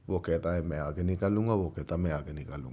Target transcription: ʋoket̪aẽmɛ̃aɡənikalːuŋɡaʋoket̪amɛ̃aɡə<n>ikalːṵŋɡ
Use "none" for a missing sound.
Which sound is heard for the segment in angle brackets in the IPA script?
n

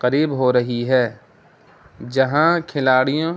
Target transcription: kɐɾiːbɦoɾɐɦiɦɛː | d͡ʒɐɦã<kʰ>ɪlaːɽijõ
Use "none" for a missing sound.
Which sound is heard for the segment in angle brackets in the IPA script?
kʰ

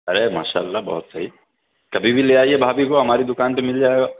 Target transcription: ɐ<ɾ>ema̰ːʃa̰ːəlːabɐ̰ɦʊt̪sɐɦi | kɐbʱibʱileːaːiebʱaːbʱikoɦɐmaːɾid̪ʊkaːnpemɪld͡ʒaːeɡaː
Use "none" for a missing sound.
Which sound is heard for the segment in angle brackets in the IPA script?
ɾ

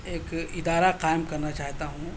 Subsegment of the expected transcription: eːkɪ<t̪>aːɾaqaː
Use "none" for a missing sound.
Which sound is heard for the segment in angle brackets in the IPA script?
d̪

